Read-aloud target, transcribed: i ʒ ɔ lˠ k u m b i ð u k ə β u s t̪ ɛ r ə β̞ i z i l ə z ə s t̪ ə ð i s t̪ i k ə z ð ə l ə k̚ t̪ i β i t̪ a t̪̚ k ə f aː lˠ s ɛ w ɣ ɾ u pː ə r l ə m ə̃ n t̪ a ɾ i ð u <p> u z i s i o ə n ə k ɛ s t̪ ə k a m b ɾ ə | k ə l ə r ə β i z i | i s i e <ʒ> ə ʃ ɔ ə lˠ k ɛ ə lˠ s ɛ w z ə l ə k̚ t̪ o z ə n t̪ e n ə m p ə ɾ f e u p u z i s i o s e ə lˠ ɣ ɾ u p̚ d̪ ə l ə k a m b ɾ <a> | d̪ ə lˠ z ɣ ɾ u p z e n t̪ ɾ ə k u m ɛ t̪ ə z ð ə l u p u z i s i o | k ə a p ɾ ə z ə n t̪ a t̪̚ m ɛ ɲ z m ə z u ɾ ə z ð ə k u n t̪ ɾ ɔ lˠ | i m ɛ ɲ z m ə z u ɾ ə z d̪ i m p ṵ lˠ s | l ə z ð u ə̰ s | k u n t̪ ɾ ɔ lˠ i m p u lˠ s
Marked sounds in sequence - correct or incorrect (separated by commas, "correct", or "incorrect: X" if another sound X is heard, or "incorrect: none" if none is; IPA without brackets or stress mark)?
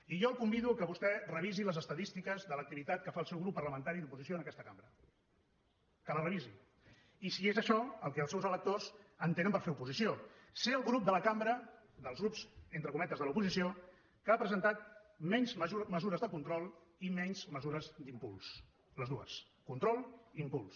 correct, incorrect: z, incorrect: ə